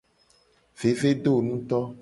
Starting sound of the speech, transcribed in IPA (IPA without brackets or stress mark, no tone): v